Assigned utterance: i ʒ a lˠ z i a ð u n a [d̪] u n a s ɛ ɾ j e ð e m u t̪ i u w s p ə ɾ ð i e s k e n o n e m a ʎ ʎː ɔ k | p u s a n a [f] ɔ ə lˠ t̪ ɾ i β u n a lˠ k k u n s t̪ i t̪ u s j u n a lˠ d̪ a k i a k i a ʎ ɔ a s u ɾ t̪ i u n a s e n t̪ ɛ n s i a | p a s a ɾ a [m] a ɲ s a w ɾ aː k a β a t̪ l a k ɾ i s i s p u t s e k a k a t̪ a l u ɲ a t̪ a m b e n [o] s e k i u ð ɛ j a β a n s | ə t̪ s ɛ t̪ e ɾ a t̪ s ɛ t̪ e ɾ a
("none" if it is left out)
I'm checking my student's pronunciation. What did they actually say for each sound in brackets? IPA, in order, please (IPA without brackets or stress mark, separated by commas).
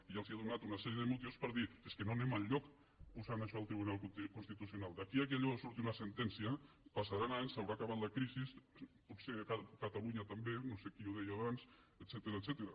t̪, ʃ, n, o